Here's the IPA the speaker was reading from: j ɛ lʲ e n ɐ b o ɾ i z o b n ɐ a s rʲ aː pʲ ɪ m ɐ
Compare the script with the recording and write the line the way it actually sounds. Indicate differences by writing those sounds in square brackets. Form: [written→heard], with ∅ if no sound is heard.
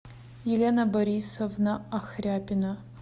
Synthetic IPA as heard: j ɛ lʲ e n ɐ b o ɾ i [z→s] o [b→v] n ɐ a [s→x] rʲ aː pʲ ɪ [m→n] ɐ